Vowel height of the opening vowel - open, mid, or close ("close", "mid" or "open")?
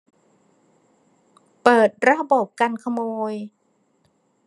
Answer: mid